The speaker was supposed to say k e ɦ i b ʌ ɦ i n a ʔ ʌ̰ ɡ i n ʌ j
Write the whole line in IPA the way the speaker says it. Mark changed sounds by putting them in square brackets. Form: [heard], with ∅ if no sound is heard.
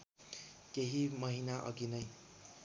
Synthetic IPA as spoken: k e ɦ i [m] ʌ ɦ i n a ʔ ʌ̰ ɡ i n ʌ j